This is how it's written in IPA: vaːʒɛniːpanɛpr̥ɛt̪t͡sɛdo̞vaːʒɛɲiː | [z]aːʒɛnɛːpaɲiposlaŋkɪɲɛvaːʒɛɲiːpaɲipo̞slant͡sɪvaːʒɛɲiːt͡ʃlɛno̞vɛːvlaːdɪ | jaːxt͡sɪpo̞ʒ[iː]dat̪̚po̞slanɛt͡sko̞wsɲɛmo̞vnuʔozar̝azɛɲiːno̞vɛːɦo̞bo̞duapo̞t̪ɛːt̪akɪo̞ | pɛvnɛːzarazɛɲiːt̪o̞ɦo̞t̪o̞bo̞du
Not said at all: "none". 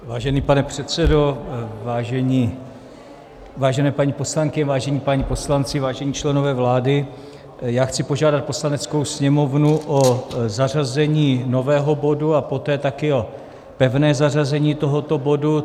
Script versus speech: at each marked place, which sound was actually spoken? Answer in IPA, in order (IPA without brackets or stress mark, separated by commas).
v, aː